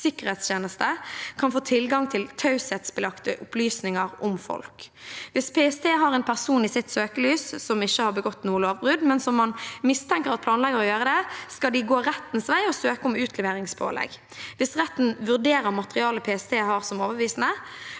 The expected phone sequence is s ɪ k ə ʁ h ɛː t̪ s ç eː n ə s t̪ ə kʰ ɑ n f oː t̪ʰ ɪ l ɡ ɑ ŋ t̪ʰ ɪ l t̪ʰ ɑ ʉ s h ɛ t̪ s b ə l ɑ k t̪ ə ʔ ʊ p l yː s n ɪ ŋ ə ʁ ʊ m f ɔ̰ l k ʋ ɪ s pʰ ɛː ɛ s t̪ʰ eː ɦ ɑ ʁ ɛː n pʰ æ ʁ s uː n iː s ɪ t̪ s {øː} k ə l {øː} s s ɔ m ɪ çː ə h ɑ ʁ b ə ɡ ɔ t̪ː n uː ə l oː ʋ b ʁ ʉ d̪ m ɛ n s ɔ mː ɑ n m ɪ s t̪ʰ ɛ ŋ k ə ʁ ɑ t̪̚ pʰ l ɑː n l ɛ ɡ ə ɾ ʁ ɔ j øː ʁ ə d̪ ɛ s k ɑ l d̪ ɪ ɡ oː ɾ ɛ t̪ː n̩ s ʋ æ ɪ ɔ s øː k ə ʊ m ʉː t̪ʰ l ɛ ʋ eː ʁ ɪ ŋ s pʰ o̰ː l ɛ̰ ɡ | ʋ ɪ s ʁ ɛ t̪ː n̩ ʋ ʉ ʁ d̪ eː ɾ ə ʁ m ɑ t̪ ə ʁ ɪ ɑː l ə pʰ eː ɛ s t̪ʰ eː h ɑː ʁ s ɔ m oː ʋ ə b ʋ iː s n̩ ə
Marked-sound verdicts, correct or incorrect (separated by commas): correct, incorrect